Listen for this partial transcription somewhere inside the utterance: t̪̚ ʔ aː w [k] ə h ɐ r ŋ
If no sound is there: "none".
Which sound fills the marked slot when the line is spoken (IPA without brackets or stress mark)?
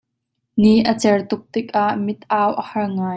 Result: ʔ